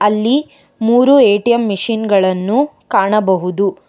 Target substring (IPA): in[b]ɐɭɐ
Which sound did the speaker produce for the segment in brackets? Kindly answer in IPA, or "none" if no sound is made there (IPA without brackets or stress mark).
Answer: ɡ